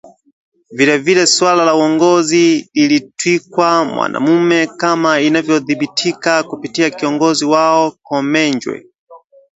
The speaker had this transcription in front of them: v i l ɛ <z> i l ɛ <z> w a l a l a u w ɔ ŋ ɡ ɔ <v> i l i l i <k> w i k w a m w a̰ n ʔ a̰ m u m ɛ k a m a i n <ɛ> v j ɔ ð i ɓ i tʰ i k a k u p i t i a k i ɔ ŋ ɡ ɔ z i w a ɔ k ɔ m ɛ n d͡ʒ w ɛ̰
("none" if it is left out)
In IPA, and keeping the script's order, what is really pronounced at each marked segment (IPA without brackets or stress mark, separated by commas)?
v, s, z, t, a